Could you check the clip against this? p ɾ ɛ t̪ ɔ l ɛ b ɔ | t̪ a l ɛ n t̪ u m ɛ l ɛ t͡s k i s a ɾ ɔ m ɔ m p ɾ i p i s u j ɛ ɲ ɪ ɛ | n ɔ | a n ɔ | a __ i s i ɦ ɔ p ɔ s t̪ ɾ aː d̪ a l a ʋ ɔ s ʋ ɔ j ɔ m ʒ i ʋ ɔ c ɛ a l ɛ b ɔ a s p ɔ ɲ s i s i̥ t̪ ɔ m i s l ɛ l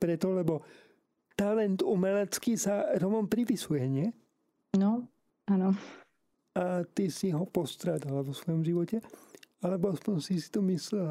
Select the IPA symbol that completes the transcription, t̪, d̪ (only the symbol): t̪